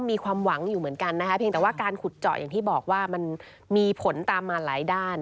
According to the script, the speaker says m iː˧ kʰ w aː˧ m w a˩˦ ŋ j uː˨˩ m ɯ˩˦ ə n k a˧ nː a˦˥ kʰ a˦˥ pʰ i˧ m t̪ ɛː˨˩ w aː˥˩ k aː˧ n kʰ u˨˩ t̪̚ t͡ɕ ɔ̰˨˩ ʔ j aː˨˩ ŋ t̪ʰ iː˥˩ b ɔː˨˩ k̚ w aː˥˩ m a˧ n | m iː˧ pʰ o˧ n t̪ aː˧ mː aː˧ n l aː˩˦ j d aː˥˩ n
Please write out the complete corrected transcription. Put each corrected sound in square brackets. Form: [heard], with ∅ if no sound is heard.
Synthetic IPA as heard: m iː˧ kʰ w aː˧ m w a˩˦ ŋ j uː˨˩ m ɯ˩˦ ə n k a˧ nː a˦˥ kʰ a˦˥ pʰ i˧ [ŋ] t̪ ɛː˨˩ w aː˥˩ k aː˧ n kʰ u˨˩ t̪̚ t͡ɕ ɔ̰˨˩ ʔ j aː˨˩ ŋ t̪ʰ iː˥˩ b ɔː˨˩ k̚ w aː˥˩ m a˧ n | m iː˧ pʰ [o˩˦] n t̪ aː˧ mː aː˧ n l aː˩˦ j d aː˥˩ n